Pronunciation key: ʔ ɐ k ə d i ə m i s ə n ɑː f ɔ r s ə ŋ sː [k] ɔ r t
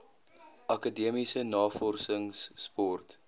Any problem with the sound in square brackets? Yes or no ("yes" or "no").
yes